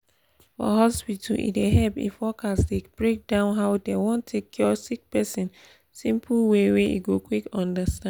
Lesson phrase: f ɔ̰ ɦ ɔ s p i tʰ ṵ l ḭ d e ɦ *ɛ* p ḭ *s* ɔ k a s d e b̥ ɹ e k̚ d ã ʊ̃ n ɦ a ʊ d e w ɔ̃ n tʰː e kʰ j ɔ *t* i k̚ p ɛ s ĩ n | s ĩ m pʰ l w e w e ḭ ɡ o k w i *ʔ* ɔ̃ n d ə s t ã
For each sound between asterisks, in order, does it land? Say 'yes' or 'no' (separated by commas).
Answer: yes, no, no, no